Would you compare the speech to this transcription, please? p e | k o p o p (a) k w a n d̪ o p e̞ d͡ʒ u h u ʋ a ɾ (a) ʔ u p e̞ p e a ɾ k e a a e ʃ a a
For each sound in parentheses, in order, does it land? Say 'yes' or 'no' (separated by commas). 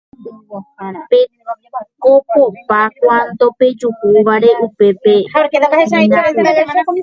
yes, no